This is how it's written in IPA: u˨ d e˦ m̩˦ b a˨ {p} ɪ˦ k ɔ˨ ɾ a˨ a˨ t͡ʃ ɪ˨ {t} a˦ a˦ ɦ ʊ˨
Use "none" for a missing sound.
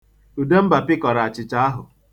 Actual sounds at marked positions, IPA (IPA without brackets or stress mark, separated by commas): p, t͡ʃ